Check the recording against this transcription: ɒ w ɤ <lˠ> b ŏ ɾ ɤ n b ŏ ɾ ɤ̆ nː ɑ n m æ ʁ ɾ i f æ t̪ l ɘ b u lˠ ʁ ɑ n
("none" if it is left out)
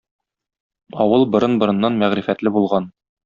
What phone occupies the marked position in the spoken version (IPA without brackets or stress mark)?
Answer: lˠ